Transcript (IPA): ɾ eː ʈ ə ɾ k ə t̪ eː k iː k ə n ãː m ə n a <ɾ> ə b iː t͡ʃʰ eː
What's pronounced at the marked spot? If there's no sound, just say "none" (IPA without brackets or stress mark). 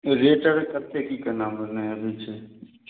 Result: none